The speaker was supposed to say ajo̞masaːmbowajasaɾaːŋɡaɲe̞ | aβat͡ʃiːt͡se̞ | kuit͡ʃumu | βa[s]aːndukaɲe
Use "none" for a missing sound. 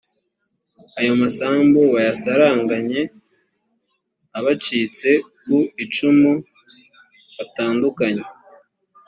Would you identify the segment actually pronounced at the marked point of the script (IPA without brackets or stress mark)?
t